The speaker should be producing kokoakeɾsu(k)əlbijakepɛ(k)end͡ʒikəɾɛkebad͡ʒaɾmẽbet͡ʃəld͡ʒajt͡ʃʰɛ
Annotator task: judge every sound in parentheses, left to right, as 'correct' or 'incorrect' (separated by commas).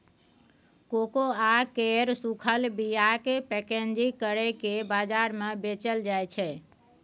incorrect, correct